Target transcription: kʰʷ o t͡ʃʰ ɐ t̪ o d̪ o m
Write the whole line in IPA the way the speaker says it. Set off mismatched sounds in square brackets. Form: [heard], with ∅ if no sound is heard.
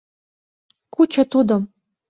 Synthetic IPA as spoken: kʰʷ [u] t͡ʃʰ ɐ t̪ [u] d̪ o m